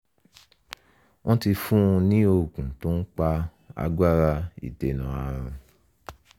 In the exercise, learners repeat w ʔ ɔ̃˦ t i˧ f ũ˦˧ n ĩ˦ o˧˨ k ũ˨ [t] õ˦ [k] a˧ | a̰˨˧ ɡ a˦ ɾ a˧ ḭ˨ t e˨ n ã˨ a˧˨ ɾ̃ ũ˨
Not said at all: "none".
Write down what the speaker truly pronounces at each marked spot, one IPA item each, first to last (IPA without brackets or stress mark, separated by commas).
t, k͡p